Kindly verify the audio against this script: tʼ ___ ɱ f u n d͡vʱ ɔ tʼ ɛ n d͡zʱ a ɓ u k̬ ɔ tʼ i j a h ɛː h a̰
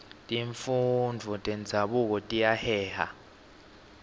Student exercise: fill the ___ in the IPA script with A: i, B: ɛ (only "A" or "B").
A